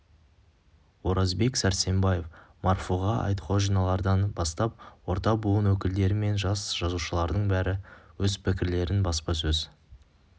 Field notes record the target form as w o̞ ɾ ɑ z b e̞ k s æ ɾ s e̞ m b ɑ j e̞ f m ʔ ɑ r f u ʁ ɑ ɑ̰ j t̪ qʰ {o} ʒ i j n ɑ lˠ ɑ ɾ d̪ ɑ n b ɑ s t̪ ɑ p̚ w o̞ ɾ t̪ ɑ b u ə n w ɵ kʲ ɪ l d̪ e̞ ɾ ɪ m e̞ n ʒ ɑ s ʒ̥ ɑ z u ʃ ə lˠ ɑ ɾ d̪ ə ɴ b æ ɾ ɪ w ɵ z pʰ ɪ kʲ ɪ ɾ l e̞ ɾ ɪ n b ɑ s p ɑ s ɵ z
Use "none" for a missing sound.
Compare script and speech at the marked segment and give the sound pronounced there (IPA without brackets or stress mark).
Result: o